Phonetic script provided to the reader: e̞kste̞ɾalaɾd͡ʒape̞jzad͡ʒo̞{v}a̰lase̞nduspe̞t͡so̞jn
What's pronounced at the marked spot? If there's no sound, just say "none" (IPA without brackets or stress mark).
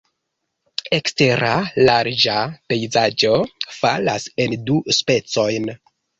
f